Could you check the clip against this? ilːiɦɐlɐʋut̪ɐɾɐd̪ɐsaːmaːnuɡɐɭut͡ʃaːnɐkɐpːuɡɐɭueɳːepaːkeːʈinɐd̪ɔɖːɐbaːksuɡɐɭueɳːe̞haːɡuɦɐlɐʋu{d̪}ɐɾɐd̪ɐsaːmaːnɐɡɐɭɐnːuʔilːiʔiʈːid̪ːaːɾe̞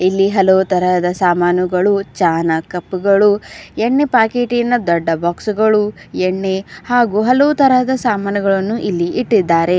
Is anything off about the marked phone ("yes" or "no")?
yes